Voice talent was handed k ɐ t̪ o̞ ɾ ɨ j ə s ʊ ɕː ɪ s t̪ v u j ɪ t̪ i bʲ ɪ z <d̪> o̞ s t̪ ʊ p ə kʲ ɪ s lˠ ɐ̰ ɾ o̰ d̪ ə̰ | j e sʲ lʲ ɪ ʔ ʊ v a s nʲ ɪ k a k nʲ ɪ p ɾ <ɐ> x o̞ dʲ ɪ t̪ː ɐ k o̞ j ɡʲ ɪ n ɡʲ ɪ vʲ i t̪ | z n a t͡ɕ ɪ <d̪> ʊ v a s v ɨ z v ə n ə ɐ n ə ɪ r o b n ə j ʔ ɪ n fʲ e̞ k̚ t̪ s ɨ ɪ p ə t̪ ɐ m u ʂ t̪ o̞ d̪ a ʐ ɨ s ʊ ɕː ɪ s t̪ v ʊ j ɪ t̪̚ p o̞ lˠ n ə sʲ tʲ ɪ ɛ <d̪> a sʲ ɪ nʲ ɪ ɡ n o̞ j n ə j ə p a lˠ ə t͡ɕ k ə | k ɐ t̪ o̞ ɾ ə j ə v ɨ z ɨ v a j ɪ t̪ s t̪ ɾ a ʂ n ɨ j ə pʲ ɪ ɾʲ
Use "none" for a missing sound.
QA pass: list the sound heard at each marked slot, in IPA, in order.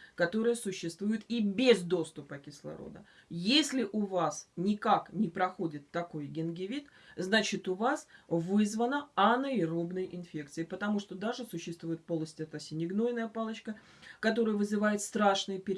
d̪, ɐ, t̪, t̪

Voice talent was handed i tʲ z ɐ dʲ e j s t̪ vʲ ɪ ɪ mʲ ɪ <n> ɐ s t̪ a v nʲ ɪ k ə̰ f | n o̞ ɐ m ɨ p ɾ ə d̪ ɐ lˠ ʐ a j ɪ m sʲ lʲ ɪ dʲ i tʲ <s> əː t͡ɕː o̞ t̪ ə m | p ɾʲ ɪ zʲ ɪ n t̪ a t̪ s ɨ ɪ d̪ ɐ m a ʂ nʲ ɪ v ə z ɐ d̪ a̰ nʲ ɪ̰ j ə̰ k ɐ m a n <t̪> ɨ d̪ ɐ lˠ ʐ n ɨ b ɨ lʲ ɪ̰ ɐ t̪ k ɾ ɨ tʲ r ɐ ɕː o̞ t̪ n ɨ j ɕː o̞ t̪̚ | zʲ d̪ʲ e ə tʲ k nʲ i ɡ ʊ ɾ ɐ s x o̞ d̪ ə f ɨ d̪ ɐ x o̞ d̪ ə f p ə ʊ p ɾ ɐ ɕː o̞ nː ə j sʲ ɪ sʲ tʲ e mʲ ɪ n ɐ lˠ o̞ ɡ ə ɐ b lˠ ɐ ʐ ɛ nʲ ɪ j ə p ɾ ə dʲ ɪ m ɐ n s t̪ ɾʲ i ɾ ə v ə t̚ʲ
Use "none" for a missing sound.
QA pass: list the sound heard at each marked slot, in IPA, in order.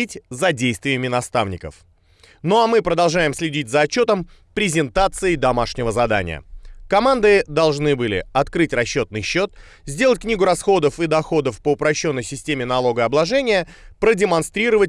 n, z, d̪

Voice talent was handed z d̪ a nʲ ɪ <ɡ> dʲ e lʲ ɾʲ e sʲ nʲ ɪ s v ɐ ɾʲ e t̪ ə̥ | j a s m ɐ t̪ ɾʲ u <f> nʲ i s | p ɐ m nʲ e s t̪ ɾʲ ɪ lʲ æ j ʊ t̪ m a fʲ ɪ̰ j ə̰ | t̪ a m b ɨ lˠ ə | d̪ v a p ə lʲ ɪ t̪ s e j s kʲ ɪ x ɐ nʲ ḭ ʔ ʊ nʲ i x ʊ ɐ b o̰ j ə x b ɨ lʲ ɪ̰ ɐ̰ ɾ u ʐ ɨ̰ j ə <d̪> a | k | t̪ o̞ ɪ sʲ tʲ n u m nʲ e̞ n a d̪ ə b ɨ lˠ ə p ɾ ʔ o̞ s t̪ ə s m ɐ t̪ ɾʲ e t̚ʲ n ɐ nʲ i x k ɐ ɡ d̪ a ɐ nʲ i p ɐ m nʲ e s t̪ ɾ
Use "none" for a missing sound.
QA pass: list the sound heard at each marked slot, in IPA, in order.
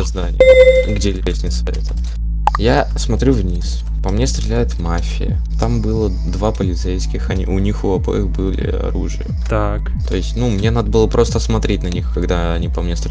ɡ, v, t̪

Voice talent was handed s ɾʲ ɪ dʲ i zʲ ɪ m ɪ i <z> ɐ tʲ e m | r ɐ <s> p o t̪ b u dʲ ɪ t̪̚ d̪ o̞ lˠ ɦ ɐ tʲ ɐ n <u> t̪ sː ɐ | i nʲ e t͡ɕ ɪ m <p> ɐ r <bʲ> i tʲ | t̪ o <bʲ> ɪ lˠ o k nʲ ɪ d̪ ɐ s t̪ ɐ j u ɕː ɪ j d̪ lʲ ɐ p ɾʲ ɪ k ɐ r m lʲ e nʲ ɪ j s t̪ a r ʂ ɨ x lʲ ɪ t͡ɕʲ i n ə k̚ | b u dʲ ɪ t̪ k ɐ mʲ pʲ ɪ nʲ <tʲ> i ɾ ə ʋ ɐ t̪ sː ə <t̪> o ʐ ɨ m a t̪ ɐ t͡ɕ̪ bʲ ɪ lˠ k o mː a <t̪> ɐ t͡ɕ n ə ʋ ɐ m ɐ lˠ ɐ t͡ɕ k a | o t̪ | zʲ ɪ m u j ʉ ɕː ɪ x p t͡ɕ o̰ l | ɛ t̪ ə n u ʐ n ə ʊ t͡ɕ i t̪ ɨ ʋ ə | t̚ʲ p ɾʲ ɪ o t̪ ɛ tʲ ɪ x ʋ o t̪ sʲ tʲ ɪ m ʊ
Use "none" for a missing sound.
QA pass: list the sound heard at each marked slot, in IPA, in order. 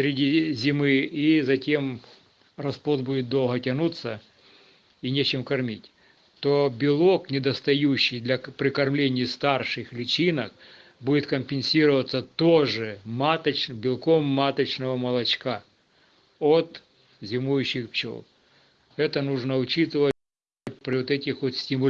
z, s, u, k, mʲ, bʲ, sʲ, t̪, t̪

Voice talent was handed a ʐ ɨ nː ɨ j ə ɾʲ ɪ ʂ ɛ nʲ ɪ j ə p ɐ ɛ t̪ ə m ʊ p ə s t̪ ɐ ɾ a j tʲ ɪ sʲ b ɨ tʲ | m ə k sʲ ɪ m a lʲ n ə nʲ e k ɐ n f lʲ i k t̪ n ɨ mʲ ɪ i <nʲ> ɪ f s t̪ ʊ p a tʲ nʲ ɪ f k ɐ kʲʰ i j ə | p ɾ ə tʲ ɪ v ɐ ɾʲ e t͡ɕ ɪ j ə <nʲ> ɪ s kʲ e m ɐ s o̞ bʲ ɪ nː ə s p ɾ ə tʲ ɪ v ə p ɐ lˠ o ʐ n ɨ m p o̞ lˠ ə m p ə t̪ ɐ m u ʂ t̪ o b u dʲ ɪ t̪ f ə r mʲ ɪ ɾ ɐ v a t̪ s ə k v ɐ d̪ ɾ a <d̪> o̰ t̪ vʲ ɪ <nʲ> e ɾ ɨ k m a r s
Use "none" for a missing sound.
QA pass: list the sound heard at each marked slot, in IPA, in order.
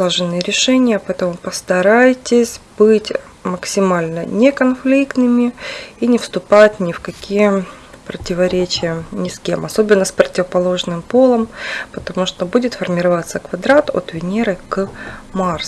nʲ, nʲ, t̪, nʲ

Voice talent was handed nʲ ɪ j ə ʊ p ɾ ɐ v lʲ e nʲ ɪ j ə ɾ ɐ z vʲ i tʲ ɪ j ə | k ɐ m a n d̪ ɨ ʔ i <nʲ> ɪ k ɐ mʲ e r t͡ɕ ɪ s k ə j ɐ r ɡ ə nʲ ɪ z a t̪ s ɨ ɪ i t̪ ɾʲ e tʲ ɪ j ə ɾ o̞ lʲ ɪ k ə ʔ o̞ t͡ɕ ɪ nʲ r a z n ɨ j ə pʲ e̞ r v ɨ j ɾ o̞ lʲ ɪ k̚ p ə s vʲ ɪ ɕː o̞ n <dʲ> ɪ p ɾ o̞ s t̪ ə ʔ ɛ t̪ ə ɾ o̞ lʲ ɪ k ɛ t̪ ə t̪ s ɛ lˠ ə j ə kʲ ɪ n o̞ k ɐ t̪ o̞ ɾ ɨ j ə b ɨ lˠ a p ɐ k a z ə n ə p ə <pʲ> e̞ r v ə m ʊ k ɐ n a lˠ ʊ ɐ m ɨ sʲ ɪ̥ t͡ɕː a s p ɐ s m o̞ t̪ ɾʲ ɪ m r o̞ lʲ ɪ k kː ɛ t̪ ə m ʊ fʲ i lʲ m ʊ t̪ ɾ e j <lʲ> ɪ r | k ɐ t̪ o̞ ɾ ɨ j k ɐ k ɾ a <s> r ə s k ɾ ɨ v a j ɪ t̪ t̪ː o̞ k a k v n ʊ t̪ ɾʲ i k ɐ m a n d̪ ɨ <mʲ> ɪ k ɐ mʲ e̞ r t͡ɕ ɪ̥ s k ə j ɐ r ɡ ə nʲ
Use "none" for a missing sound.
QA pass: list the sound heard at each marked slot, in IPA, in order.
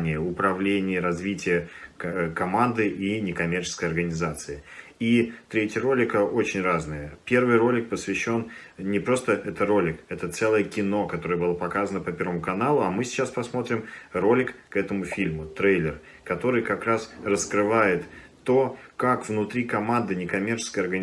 nʲ, nʲ, pʲ, lʲ, s, nʲ

